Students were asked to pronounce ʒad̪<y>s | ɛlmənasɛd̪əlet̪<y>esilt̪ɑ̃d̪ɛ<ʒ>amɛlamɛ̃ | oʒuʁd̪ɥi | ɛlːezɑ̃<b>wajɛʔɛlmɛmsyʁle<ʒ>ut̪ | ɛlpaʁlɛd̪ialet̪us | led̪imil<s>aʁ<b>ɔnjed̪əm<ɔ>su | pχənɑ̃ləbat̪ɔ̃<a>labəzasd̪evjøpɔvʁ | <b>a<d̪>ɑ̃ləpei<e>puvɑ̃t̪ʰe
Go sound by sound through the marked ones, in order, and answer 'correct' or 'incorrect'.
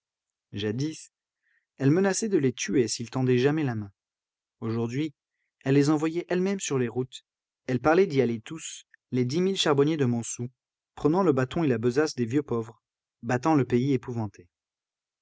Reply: incorrect: i, correct, correct, incorrect: v, incorrect: ʁ, incorrect: ʃ, correct, incorrect: ɔ̃, incorrect: e, correct, incorrect: t̪, correct

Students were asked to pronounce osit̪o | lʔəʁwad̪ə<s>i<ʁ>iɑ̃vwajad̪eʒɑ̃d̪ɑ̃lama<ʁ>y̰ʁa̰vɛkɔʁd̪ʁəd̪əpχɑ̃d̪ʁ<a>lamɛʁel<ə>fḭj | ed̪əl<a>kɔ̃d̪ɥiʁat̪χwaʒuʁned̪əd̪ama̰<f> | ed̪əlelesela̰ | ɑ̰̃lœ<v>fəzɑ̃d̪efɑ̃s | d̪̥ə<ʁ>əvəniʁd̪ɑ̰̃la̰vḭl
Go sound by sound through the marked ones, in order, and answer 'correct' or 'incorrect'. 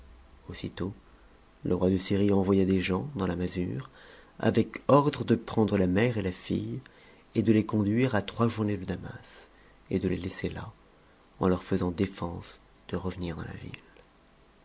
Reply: correct, correct, incorrect: z, incorrect: ə, incorrect: a, incorrect: e, incorrect: s, incorrect: ʁ, correct

